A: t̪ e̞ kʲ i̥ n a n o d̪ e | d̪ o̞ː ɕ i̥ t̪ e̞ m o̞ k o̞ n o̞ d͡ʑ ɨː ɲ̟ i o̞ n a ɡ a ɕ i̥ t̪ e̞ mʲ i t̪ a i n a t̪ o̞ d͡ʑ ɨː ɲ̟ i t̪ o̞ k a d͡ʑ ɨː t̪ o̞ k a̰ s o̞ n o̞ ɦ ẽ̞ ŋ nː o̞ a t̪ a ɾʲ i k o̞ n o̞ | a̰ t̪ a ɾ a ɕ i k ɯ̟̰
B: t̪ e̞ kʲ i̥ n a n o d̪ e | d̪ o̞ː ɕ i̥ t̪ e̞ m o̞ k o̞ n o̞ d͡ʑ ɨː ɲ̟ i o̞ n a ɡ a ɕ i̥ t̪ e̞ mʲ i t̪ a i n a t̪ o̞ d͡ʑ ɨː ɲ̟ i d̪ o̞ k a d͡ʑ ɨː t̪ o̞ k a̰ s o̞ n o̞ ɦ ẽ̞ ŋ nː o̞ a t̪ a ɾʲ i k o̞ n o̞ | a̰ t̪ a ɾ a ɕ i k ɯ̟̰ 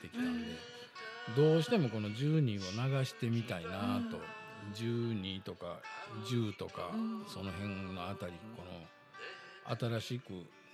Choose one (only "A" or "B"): A